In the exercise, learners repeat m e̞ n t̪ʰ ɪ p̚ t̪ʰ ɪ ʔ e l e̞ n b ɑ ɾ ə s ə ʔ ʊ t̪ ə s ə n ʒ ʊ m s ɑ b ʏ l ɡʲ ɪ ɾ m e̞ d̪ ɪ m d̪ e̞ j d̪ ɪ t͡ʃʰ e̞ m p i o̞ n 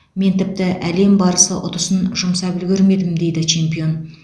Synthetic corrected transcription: m e̞ n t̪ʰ ɪ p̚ t̪ ɪ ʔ æ l e̞ m b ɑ ɾ ə s ə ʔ ʊ t̪ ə s ə n ʒ ʊ m s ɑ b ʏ l ɡʲ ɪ ɾ m e̞ d̪ ɪ m d̪ e̞ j d̪ ɪ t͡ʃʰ e̞ m p i o̞ n